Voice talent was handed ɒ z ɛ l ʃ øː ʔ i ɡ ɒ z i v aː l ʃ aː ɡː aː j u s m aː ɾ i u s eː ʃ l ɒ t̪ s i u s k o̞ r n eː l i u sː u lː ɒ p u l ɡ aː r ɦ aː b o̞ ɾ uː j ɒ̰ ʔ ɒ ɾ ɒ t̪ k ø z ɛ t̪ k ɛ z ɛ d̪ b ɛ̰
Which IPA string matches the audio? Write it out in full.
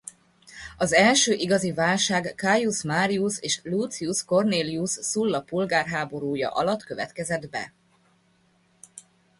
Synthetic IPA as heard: ɒ z ɛ l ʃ øː ʔ i ɡ ɒ z i v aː l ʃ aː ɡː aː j u s m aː ɾ i u s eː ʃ l u t̪ s i u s k o̞ r n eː l i u sː u lː ɒ p u l ɡ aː r ɦ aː b o̞ ɾ uː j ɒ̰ ʔ ɒ l ɒ t̪ k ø v ɛ t̪ k ɛ z ɛ d̪ b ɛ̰